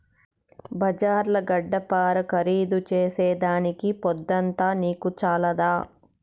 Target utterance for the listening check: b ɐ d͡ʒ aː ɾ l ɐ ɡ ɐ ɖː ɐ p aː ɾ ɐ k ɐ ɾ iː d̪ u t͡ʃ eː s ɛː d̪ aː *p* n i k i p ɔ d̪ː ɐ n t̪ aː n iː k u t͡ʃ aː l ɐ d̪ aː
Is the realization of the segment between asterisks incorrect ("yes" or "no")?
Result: yes